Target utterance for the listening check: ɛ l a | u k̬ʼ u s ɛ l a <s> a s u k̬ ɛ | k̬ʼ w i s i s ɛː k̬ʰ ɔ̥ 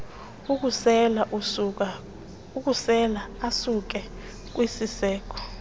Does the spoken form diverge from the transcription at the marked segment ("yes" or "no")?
yes